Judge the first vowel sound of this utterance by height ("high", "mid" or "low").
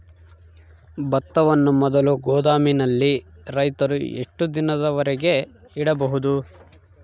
low